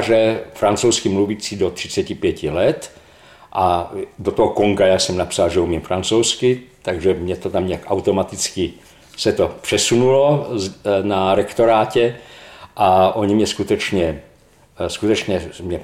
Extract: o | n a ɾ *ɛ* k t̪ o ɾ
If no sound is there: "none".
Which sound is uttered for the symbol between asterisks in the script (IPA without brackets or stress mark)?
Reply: ɛ